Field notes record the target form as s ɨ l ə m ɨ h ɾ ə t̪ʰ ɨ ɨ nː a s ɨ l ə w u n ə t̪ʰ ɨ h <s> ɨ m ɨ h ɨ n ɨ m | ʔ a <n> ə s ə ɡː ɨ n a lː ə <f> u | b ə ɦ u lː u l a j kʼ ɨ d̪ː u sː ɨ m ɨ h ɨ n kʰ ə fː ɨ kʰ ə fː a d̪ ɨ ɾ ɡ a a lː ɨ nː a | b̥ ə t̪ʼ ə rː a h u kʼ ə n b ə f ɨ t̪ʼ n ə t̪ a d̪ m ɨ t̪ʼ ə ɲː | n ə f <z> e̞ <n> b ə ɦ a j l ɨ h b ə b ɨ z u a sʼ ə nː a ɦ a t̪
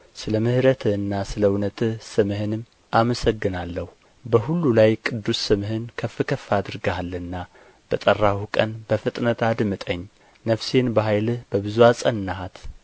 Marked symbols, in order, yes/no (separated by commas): yes, no, no, no, yes